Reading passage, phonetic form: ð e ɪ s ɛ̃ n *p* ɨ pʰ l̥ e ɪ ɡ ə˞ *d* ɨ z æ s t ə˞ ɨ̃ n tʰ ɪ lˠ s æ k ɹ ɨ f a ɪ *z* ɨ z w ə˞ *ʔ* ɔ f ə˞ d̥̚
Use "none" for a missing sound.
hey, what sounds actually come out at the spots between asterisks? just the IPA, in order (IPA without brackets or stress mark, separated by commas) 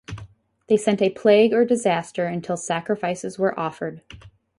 t, d, s, ʔ